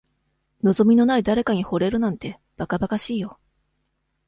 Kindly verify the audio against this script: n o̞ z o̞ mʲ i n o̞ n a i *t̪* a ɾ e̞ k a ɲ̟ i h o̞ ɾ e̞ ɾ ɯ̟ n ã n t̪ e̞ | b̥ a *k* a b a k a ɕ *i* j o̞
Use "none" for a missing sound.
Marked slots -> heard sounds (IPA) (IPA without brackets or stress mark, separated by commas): d̪, k, iː